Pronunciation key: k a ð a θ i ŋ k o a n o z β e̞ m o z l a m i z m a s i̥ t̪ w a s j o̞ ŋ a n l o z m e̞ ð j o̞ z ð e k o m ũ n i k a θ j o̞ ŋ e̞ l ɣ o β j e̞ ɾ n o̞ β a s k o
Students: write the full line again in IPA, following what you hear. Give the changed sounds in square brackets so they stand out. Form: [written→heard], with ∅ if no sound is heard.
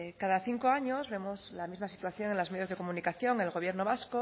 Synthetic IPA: k a ð a θ i ŋ k o a [n→ɲ] o z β e̞ m o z l a m i z m a s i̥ t̪ w a [s→θ] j o̞ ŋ [a→e] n l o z m e̞ ð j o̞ z ð e k o m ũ n i k a θ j o̞ ŋ e̞ l ɣ o β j e̞ ɾ n o̞ β a s k o